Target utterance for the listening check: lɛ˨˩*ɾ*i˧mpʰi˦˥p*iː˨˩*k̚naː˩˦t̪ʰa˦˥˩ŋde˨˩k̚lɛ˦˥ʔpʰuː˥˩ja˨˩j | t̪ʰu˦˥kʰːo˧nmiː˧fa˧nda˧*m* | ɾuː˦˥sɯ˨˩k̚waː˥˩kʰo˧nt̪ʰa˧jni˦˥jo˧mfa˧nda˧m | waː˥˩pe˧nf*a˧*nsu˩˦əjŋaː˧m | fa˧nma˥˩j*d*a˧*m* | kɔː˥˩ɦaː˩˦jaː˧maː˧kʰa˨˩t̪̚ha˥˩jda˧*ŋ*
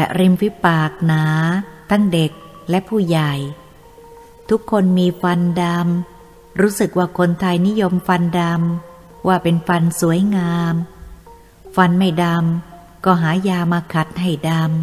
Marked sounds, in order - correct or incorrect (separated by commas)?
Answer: correct, incorrect, correct, correct, correct, correct, incorrect